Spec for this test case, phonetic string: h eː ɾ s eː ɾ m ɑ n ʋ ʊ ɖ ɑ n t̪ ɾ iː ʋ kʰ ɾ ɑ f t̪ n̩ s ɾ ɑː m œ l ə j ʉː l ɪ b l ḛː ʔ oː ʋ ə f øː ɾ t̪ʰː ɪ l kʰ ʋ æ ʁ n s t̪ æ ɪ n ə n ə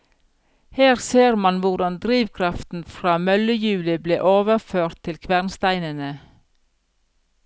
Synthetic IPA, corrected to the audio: h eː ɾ s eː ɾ m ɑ n ʋ ʊ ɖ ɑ n d̪ ɾ iː ʋ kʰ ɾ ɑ f t̪ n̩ f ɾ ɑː m œ l ə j ʉː l ɪ b l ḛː ʔ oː ʋ ə f øː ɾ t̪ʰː ɪ l kʰ ʋ æ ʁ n s t̪ æ ɪ n ə n ə

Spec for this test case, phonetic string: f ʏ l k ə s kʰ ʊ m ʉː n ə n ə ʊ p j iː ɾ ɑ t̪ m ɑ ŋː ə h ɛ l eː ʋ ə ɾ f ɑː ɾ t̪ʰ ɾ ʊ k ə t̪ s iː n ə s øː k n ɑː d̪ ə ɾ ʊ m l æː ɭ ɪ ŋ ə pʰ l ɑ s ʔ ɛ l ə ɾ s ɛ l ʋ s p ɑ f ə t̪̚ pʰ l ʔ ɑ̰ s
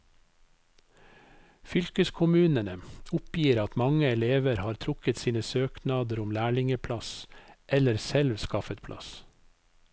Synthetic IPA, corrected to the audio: f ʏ l k ə s kʰ ʊ m ʉː n ə n ə ʊ p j iː ɾ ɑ t̪ m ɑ ŋ ə ɛ l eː ʋ ə ɾ h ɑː ɾ t̪ʰ ɾ ʊ k ə t̪ s iː n ə s øː k n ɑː d̪ ə ɾ ʊ m l æː ɭ ɪ ŋ ə pʰ l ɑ s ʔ ɛ l ə ɾ s ɛ l ʋ s k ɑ f ə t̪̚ pʰ l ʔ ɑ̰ s

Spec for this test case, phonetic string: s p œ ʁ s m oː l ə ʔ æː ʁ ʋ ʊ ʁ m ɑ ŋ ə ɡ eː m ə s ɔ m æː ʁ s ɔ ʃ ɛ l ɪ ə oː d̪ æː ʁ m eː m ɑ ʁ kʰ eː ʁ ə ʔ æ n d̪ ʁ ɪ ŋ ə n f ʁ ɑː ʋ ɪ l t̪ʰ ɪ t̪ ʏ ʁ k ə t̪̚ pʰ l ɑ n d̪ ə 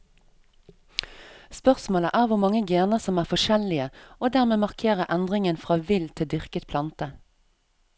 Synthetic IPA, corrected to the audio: s p œ ʁ s m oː l ə ʔ æː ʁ ʋ ʊ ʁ m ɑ ŋ ə ɡ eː n ə s ɔ m æː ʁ f ɔ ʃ ɛ l ɪ ə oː d̪ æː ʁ m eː m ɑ ʁ kʰ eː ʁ ə ʔ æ n d̪ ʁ ɪ ŋ ə n f ʁ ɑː ʋ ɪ l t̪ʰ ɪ d̪ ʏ ʁ k ə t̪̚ pʰ l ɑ n t̪ ə

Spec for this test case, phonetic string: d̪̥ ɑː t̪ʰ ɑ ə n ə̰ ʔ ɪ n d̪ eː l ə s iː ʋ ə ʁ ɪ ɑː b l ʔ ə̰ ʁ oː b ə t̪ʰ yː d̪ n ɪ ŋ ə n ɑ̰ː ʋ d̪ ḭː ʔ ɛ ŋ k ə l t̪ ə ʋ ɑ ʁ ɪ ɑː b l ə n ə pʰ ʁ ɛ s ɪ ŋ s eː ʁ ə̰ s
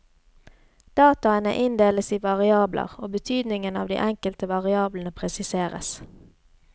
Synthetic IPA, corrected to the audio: d̪̥ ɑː t̪ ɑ ə n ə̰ ʔ ɪ n d̪ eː l ə s iː ʋ ɑ ʁ ɪ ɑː b l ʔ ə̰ ʁ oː b ə t̪ʰ yː d̪ n ɪ ŋ ə n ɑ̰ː ʋ d̪ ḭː ʔ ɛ ŋ k ə l t̪ ə ʋ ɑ ʁ ɪ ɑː b l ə n ə pʰ ʁ ɛ s ɪ s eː ʁ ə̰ s

